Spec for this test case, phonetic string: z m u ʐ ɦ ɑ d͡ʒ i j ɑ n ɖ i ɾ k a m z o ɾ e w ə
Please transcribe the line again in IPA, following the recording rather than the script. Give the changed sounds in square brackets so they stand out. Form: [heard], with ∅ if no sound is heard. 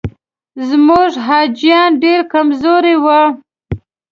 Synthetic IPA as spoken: z m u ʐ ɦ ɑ d͡ʒ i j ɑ n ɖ [e] ɾ k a m z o ɾ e w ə